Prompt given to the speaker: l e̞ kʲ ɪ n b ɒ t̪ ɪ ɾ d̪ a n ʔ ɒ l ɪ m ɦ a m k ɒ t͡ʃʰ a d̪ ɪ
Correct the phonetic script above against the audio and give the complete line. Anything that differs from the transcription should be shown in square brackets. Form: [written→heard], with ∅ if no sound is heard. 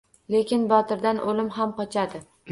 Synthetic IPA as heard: l e̞ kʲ ɪ n b ɒ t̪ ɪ ɾ d̪ a n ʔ [ɒ→o] l ɪ m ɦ a m [k→q] ɒ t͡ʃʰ a d̪ ɪ